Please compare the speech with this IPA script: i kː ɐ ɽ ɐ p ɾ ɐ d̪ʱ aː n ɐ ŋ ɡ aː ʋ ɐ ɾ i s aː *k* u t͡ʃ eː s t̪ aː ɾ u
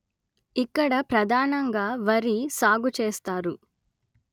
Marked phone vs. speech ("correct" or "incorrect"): incorrect